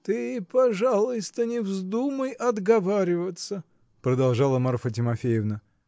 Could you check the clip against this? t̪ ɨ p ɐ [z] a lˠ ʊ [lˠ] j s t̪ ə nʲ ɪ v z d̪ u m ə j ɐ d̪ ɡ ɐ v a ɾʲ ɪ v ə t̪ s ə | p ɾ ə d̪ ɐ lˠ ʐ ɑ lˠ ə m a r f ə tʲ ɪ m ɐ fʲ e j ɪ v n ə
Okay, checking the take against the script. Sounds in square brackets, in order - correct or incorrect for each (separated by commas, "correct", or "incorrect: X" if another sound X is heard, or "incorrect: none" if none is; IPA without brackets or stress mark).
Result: incorrect: ʐ, incorrect: none